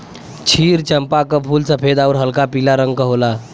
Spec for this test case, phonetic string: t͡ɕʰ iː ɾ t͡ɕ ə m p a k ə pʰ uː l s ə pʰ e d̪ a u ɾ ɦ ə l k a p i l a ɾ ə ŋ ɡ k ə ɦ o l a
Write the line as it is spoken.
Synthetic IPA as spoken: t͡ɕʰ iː ɾ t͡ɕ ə m p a k ə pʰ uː l s ə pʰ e d̪ a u ɾ ɦ ə l k a p i l a ɾ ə ŋ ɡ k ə ɦ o l a